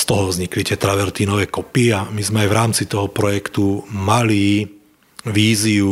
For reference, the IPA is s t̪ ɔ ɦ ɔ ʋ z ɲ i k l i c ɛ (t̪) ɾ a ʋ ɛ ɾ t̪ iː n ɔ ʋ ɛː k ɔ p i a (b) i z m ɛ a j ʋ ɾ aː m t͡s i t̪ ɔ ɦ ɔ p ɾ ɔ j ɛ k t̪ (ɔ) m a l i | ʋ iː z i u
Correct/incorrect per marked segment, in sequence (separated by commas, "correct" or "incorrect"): correct, incorrect, incorrect